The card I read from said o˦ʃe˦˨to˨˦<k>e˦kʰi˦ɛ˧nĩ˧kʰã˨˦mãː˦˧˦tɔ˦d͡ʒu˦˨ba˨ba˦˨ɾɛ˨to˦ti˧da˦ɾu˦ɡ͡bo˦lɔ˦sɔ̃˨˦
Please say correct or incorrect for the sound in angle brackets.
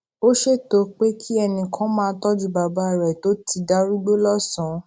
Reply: incorrect: k͡p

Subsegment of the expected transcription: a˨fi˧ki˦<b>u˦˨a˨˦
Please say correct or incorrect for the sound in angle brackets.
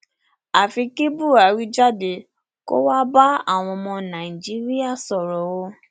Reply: correct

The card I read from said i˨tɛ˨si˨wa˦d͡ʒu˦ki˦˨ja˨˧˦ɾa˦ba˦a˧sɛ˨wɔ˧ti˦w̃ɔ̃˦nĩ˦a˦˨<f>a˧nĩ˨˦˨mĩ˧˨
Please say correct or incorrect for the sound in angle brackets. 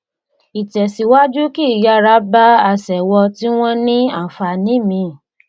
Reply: correct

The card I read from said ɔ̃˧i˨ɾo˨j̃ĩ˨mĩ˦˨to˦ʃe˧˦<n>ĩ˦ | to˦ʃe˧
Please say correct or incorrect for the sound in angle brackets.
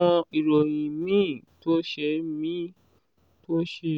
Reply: incorrect: m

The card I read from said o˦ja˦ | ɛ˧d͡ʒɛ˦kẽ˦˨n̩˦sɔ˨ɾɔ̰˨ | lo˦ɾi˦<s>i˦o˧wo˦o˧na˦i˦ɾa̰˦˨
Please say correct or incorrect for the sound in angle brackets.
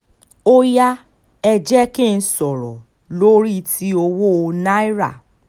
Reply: incorrect: t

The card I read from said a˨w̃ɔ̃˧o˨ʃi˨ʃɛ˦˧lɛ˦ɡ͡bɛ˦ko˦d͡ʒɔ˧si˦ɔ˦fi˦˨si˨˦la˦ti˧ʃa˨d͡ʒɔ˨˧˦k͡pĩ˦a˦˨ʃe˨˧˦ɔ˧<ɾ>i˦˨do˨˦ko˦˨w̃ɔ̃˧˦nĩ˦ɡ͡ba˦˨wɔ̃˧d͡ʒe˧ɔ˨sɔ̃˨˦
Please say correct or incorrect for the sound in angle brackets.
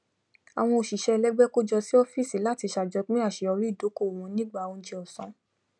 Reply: correct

